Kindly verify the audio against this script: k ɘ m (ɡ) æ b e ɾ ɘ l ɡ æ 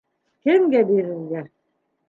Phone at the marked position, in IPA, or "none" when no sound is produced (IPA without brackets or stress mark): ɡ